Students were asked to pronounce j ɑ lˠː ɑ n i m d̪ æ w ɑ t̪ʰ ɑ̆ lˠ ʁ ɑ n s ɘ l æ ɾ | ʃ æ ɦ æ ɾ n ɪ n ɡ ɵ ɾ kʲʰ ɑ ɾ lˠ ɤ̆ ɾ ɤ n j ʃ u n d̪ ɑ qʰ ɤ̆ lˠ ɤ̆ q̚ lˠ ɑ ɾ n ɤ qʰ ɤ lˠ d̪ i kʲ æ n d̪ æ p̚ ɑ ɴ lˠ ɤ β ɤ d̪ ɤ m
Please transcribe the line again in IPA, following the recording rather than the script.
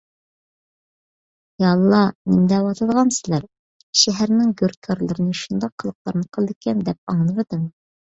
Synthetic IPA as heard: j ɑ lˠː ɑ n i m d̪ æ w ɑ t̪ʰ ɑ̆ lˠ ʁ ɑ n s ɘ l æ ɾ | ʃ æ ɦ æ ɾ n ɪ ŋ ɡ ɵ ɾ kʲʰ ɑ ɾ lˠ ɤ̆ ɾ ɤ n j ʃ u n d̪ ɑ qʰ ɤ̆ lˠ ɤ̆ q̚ lˠ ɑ ɾ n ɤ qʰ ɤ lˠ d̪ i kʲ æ n d̪ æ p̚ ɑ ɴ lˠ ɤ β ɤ d̪ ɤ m